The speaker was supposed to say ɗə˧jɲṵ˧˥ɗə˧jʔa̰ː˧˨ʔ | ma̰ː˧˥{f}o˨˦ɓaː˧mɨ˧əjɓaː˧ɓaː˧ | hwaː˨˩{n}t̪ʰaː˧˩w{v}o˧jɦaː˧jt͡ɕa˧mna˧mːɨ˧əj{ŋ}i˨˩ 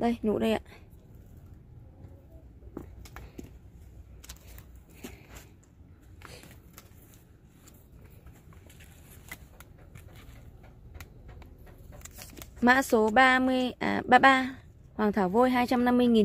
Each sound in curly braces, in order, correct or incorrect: incorrect: s, incorrect: ŋ, correct, correct

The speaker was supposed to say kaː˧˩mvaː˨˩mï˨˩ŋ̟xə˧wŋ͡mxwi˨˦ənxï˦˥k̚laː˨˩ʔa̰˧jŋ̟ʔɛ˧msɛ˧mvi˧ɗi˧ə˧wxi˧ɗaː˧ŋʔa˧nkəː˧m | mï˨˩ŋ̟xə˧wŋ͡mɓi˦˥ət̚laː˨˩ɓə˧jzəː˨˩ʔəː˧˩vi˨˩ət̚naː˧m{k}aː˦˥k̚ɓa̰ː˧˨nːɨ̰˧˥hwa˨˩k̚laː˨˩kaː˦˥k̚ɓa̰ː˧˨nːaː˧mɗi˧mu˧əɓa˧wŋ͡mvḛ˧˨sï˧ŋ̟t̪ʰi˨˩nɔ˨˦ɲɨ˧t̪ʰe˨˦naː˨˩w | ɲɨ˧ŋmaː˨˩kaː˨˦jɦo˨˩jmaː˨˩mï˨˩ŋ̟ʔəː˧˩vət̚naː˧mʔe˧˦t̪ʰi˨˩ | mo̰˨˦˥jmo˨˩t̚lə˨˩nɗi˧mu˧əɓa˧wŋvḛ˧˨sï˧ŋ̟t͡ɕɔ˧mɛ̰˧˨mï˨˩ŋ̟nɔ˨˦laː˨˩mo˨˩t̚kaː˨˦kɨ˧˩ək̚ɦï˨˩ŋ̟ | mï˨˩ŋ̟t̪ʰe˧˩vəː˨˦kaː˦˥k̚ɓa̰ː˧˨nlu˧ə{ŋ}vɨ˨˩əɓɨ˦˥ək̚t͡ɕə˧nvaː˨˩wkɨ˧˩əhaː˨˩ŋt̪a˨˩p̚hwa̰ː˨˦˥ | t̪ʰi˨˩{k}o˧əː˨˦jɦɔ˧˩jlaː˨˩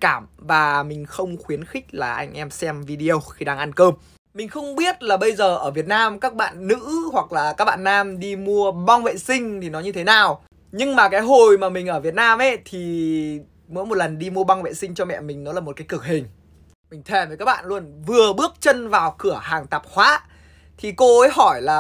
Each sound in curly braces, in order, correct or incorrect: correct, incorrect: n, correct

